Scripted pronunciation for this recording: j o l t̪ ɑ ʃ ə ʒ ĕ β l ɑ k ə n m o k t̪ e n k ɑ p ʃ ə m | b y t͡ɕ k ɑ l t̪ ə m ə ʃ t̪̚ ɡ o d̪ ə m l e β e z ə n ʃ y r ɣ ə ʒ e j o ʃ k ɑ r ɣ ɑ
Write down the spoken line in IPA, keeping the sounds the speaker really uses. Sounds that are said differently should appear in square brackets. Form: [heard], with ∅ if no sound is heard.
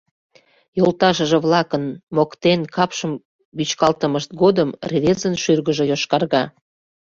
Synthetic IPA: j o l t̪ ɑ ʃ ə ʒ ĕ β l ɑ k ə n m o k t̪ e n k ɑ p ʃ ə m | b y t͡ɕ k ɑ l t̪ ə m ə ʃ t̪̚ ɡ o d̪ ə m [r] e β e z ə n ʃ y r ɣ ə ʒ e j o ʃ k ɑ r ɣ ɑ